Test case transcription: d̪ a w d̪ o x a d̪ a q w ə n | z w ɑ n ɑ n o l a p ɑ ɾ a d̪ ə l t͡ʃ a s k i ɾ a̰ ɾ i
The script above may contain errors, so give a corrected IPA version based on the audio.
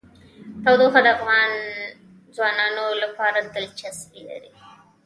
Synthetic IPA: t̪ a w d̪ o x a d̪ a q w ɑ n | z w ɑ n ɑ n o l a p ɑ ɾ a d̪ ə l t͡ʃ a s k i l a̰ ɾ i